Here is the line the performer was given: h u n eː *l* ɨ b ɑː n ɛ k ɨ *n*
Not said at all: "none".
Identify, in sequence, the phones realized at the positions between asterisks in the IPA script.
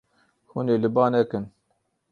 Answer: l, n

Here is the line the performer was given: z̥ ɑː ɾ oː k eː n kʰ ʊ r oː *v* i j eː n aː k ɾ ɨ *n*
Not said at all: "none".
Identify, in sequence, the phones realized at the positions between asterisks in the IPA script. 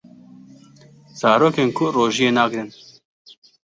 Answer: ʒ, n

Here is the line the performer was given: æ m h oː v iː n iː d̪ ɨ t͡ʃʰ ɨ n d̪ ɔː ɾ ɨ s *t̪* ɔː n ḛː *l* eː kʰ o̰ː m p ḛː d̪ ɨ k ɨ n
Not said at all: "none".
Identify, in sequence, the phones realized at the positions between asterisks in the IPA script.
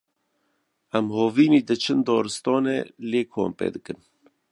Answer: t̪, l

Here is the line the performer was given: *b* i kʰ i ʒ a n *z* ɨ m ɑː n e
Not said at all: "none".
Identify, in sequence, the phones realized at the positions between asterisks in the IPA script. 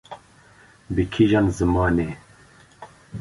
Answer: b, z

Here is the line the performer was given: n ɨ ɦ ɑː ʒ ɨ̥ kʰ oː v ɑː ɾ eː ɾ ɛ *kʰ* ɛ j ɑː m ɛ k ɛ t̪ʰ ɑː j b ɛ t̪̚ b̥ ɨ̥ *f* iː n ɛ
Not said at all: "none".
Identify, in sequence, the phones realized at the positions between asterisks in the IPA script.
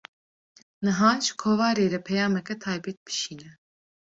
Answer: pʰ, ʃ

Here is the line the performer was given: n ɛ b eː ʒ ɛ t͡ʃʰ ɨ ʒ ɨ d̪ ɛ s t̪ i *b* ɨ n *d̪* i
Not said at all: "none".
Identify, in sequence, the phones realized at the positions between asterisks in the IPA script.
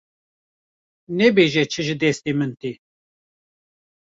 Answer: m, t̪

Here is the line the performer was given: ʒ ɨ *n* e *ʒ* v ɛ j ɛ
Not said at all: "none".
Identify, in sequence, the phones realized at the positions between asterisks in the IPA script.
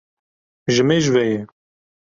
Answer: m, ʒ

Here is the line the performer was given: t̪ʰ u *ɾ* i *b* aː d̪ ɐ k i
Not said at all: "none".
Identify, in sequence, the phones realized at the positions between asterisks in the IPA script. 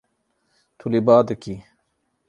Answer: l, b

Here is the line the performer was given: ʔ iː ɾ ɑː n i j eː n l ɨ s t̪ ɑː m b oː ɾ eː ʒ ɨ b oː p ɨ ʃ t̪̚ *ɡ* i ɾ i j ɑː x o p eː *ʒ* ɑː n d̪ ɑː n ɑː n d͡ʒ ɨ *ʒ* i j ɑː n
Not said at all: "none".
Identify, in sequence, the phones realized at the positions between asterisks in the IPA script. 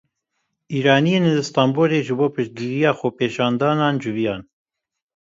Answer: ɡ, ʃ, v

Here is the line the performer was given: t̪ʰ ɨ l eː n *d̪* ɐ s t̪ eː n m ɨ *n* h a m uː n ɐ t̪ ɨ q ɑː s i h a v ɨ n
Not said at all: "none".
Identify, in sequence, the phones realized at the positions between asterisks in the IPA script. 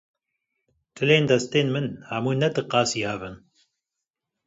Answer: d̪, n

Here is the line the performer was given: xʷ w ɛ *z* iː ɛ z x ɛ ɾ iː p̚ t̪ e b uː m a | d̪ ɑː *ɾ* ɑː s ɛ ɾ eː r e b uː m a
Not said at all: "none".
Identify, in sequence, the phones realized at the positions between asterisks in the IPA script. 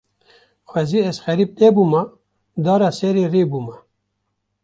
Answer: z, ɾ

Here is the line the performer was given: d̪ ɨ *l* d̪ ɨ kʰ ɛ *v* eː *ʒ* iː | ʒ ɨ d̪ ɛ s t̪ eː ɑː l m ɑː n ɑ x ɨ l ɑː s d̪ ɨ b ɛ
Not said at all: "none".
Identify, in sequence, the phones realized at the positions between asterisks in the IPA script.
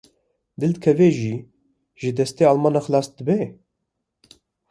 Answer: l, v, ʒ

